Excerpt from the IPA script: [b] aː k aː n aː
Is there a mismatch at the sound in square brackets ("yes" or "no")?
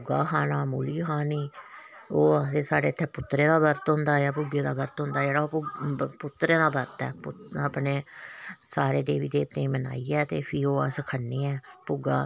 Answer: yes